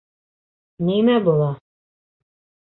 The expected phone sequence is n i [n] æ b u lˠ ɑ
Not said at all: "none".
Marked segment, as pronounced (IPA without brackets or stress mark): m